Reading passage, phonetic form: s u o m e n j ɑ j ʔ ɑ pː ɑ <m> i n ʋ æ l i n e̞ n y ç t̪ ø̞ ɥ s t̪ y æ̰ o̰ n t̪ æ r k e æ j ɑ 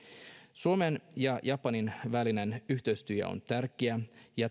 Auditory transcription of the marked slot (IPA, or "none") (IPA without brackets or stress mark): n